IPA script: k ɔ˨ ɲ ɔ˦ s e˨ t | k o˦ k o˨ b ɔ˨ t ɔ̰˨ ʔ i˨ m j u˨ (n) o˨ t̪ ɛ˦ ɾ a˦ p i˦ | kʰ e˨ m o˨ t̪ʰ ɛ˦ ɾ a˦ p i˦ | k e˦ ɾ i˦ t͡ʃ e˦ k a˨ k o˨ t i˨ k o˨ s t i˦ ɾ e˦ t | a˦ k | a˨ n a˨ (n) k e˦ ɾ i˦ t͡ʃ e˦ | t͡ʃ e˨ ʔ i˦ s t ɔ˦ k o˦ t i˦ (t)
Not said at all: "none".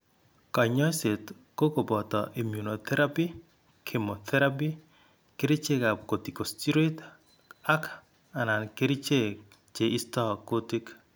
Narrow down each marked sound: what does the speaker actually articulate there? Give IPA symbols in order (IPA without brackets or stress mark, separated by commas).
n, n, k